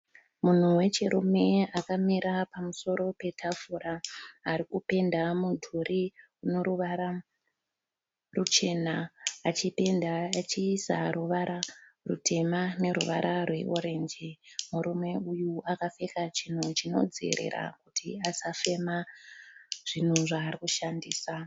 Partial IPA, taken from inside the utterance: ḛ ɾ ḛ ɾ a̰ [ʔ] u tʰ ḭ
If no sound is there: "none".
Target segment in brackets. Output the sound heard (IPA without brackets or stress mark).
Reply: k